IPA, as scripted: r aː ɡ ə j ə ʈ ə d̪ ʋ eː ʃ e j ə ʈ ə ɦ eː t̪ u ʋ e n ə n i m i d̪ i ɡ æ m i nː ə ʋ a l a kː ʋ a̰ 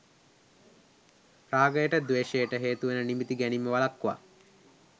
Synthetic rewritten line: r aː ɡ ə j ə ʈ ə d̪ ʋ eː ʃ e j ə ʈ ə ɦ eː t̪ u ʋ e n ə n i m i t̪ i ɡ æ n i mː ə ʋ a l a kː ʋ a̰

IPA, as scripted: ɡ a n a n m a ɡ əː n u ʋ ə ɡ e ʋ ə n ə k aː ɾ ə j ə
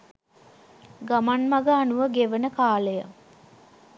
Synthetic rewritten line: ɡ a m a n m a ɡ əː n u ʋ ə ɡ e ʋ ə n ə k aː l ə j ə

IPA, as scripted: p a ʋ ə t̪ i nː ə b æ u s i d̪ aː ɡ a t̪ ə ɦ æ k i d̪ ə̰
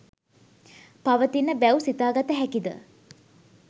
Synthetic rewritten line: p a ʋ ə t̪ i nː ə b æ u s i t̪ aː ɡ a t̪ ə ɦ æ k i d̪ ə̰

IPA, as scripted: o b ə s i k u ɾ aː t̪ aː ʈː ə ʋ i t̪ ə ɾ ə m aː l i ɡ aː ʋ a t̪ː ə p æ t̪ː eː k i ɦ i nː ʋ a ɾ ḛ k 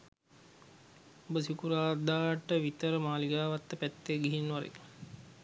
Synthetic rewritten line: o b ə s i k u ɾ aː d̪ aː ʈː ə ʋ i t̪ ə ɾ ə m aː l i ɡ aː ʋ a t̪ː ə p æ t̪ː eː ɡ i ɦ i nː ʋ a ɾ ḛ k

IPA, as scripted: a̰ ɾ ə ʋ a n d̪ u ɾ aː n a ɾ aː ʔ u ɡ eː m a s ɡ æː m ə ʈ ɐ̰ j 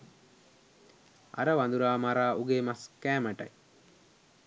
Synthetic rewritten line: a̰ ɾ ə ʋ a n d̪ u ɾ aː m a ɾ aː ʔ u ɡ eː m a s k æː m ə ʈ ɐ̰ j

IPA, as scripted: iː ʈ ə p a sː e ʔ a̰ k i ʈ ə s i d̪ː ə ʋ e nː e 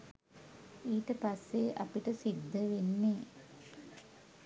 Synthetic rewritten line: iː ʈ ə p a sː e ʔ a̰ p i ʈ ə s i d̪ː ə ʋ e nː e

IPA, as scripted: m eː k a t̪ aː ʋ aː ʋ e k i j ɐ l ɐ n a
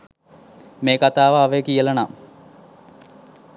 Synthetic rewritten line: m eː k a t̪ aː ʋ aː ʋ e k i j ə l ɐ n a

